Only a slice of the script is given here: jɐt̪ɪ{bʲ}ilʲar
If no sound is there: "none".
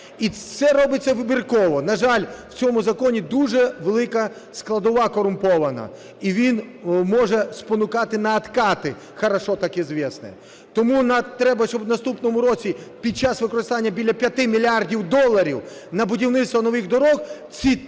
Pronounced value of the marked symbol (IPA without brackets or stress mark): mʲ